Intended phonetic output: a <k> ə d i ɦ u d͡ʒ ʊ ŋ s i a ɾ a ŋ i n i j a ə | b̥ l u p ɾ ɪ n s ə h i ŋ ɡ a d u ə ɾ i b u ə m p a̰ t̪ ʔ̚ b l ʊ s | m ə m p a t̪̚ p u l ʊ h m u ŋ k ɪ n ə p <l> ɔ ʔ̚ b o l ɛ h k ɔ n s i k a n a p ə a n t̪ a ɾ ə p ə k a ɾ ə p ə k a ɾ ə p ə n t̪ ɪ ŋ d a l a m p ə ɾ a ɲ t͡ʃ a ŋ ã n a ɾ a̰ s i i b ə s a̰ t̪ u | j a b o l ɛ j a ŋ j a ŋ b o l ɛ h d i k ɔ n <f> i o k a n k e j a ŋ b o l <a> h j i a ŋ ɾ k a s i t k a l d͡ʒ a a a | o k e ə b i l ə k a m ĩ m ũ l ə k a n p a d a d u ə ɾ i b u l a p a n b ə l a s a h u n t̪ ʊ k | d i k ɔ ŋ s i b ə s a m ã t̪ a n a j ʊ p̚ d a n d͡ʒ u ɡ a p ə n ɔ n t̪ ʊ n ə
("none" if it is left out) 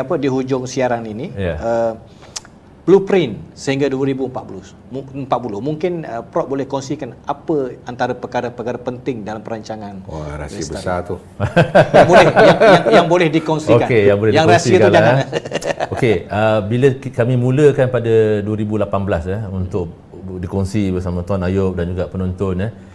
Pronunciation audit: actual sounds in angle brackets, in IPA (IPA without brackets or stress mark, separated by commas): p, ɾ, s, ɛ